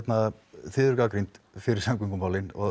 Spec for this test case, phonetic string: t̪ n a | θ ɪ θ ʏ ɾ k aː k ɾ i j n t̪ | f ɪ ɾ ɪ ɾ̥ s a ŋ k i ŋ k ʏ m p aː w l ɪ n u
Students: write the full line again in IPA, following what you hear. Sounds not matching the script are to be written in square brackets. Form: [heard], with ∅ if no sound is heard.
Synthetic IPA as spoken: t̪ n a | θ ɪ [ð] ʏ ɾ k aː k ɾ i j n t̪ | f ɪ ɾ ɪ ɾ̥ s a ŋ k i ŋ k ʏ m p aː w l ɪ n [ɔ]